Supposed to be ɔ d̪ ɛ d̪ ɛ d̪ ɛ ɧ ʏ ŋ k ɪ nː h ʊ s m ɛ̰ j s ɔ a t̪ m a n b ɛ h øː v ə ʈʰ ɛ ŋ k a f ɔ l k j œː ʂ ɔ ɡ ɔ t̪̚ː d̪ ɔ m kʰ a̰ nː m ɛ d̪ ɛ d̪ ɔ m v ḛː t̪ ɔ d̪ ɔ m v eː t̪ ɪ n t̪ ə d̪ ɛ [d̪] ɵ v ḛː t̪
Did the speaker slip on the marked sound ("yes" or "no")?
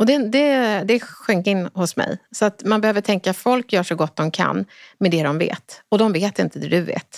no